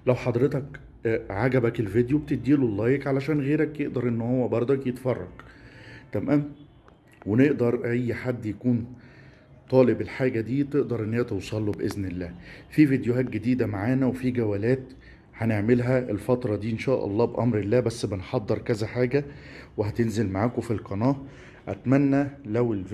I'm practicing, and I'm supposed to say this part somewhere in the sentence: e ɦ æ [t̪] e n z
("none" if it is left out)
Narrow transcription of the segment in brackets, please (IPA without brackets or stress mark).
t̪